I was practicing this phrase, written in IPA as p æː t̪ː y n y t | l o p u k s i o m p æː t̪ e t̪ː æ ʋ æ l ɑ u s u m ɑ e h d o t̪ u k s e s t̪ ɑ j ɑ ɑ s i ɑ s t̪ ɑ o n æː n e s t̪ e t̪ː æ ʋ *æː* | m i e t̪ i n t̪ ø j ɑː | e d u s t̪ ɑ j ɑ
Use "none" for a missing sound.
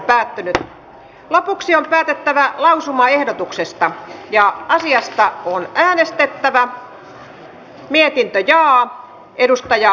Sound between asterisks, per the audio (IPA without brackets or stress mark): æ